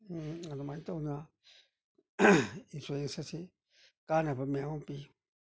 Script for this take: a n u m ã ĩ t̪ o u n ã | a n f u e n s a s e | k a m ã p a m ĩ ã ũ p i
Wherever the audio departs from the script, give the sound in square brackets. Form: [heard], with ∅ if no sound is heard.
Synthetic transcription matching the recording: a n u m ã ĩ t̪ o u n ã | [i] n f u e n s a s [i] | k a [n] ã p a m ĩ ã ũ p i